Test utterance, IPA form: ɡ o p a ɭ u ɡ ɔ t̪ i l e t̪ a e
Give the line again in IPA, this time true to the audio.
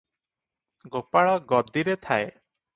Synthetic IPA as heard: ɡ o p a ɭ ɔ ɡ ɔ d̪ i ɾ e t̪ʰ a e

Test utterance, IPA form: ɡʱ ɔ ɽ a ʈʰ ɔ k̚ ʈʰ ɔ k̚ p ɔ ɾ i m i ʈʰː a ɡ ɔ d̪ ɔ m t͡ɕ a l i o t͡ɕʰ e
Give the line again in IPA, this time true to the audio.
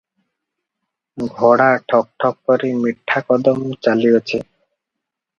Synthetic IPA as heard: ɡʱ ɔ ɽ a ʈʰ ɔ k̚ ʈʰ ɔ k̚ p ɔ ɾ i m i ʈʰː a k ɔ d̪ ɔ m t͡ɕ a l i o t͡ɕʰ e

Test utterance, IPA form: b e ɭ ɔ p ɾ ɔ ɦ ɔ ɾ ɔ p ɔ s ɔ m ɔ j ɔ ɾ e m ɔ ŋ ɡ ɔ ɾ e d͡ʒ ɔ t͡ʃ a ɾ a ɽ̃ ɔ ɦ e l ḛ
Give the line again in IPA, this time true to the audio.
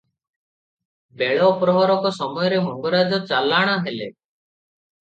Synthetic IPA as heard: b e ɭ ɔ p ɾ ɔ ɦ ɔ ɾ ɔ k ɔ s ɔ m ɔ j ɔ ɾ e m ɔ ŋ ɡ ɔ ɾ a d͡ʒ ɔ t͡ʃ a l a ɽ̃ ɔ ɦ e l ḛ

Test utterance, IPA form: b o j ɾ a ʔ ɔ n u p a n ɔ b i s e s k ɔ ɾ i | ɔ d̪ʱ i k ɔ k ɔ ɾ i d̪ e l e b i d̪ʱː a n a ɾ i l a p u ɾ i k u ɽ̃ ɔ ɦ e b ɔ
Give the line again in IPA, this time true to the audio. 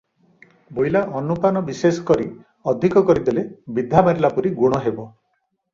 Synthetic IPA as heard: b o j l a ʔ ɔ n u p a n ɔ b i s e s k ɔ ɾ i | ɔ d̪ʱ i k ɔ k ɔ ɾ i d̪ e l e b i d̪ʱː a m a ɾ i l a p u ɾ i ɡ u ɽ̃ ɔ ɦ e b ɔ

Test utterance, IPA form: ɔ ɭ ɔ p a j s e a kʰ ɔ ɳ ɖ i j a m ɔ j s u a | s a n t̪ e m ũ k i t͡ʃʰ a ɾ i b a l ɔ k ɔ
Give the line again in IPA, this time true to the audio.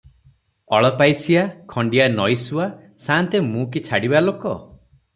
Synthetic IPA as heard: ɔ ɭ ɔ p a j s i a kʰ ɔ ɳ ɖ i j a n ɔ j s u a | s a n t̪ e m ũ k i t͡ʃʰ a ɽ i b a l o k ɔ

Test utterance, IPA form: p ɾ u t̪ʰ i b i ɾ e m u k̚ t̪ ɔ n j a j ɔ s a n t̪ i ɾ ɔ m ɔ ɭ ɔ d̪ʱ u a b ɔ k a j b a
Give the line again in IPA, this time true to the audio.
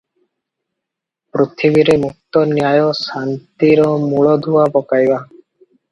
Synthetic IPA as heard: p ɾ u t̪ʰ i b i ɾ e m u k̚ t̪ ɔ n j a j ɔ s a n t̪ i ɾ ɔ m u ɭ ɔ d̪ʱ u a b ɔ k a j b a

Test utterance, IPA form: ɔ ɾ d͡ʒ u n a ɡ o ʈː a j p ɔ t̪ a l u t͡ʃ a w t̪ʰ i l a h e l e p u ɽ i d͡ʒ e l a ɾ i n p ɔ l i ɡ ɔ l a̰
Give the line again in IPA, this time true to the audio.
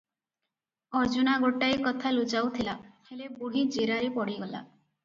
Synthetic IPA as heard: ɔ ɾ d͡ʒ u n a ɡ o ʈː a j k ɔ t̪ʰ a l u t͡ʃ a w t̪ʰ i l a h e l e b u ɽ i d͡ʒ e ɾ a ɾ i p ɔ ɽ i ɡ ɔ l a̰

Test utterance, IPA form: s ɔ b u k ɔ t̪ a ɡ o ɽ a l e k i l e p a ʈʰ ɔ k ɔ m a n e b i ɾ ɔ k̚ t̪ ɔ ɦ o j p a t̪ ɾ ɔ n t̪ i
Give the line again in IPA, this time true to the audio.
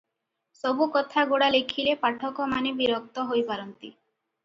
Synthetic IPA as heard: s ɔ b u k ɔ t̪ʰ a ɡ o ɽ a l e kʰ i l e p a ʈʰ ɔ k ɔ m a n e b i ɾ ɔ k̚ t̪ ɔ ɦ o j p a ɾ ɔ n t̪ i

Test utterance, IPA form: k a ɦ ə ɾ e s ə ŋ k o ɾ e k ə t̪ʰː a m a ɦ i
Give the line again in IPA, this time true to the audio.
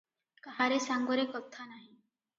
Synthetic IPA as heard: k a ɦ a ɾ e s a ŋ ɡ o ɾ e k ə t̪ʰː a n a ɦ i

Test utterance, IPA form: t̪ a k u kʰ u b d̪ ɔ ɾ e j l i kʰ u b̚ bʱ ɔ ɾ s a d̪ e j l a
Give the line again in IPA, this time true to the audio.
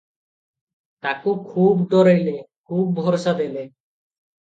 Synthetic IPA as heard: t̪ a k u kʰ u b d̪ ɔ ɾ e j l e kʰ u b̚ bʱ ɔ ɾ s a d̪ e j l e

